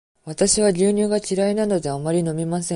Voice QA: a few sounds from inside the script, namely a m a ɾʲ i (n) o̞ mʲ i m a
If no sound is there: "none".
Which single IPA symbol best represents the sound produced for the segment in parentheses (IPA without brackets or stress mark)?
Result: n